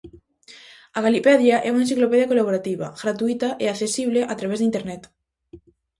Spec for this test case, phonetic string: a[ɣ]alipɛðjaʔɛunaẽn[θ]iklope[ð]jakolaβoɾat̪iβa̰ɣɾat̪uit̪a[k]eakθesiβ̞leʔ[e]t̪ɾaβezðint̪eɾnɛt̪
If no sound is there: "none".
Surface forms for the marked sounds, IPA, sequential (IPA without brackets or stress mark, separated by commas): ɣ, s, ð, ʔ, a